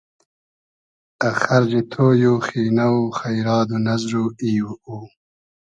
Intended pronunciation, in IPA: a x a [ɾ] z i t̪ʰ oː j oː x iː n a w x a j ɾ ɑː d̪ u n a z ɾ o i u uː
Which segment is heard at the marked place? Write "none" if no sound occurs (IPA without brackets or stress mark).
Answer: ɾ